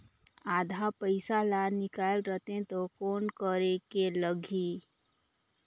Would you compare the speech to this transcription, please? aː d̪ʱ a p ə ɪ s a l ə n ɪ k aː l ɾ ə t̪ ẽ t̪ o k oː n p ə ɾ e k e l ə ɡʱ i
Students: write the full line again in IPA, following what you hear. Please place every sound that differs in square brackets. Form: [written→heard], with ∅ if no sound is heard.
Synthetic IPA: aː d̪ʱ a p ə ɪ s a l [ə→a] n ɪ k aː l ɾ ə t̪ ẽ t̪ o k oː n [p→k] ə ɾ e k e l ə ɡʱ i

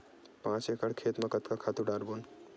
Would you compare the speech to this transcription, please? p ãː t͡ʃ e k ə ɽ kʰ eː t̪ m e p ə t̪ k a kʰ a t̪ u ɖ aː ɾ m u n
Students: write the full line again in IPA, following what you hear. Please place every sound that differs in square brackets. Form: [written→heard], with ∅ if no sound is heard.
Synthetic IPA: p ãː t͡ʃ e k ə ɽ kʰ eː t̪ m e [p→k] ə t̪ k a kʰ a t̪ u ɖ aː ɾ [m→b] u n

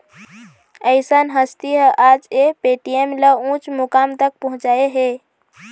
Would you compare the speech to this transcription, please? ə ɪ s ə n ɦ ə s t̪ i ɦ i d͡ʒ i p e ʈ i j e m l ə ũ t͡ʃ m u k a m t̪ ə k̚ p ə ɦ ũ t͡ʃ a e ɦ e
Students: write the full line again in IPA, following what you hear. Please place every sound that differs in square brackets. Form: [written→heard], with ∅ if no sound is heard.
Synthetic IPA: ə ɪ s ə n ɦ ə s t̪ i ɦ [i→a] d͡ʒ [i→e] p e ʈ i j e m l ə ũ t͡ʃ m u k a m t̪ ə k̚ p ə ɦ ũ t͡ʃ a e ɦ e

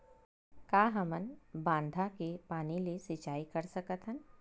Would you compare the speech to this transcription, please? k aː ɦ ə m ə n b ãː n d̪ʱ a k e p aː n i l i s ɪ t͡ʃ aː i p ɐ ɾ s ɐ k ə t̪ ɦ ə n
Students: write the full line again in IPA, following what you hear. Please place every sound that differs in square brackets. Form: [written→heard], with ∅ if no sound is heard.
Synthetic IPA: k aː ɦ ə m ə n b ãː n d̪ʱ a k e p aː n i l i s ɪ t͡ʃ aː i [p→k] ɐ ɾ s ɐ k ə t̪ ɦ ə n

